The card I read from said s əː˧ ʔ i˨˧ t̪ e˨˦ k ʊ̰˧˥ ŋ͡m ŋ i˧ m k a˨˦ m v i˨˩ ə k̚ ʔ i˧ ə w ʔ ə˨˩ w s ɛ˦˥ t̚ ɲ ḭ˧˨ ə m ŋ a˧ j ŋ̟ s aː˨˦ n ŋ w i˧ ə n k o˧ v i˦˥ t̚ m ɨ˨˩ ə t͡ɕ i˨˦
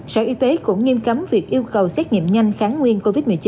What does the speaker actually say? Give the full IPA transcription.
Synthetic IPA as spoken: s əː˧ ʔ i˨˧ t̪ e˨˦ k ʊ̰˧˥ ŋ͡m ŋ i˧ m k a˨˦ m v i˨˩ ə k̚ ʔ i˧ ə w k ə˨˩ w s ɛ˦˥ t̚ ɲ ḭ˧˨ ə m ɲ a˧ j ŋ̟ x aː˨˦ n ŋ w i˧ ə n k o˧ v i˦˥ t̚ m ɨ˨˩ ə t͡ɕ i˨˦